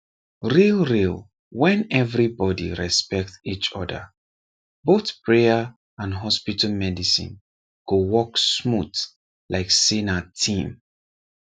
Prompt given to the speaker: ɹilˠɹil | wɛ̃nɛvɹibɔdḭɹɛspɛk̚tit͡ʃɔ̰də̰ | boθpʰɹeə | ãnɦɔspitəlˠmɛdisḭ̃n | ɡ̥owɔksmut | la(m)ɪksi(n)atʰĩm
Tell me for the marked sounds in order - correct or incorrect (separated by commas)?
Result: incorrect, correct